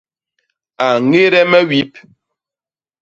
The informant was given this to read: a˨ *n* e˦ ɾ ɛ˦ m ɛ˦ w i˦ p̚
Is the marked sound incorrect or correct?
incorrect: ŋ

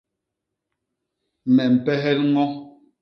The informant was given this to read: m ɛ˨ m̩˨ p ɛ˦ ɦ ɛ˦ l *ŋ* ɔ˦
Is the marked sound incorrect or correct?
correct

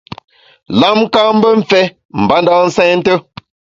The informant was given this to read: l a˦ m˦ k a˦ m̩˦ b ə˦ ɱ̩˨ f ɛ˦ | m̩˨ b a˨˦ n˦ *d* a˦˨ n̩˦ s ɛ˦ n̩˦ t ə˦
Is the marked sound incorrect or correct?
correct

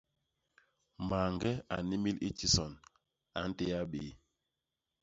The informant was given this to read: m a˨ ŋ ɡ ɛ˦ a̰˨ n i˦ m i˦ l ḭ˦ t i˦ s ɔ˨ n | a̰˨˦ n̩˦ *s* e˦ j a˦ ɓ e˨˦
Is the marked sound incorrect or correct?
incorrect: t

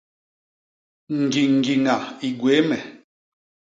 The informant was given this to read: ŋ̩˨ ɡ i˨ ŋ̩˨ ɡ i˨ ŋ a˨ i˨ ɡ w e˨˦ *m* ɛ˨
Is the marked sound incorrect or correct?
correct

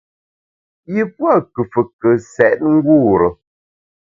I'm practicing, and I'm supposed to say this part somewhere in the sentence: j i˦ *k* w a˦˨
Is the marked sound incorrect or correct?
incorrect: p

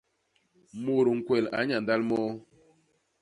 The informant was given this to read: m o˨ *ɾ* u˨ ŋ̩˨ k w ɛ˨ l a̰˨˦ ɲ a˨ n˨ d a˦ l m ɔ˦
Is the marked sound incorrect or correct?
correct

